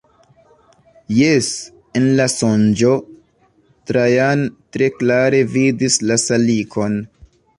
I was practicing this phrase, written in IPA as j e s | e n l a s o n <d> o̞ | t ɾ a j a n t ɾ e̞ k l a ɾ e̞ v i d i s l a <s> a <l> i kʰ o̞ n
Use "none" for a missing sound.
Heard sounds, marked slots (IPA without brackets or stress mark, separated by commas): d͡ʒ, s, l